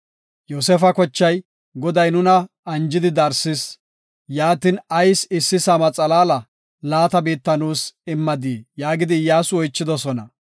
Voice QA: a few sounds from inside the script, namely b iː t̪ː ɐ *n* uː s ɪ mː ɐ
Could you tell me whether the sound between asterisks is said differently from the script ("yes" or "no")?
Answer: no